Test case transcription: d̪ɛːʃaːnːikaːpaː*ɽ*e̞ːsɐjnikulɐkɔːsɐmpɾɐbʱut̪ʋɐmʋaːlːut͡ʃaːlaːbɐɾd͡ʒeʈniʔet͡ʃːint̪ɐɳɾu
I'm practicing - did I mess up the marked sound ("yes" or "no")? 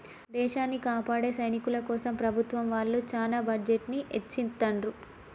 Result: no